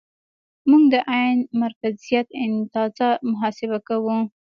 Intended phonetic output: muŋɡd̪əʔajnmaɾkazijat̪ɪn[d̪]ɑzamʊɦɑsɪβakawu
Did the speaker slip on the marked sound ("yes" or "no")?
yes